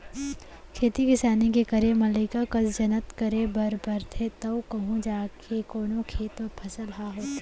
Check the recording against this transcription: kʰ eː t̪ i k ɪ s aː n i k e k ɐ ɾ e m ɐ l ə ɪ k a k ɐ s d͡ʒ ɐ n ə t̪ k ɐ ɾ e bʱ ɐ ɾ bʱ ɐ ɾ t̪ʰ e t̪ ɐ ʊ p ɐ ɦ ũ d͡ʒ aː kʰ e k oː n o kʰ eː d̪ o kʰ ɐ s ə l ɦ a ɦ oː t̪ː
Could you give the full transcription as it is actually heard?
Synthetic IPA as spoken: kʰ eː t̪ i k ɪ s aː n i k e k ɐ ɾ e m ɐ l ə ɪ k a k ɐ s d͡ʒ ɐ n ə t̪ k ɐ ɾ e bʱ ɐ ɾ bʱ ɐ ɾ t̪ʰ e t̪ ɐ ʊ k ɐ ɦ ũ d͡ʒ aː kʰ e k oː n o kʰ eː t̪ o pʰ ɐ s ə l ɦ a ɦ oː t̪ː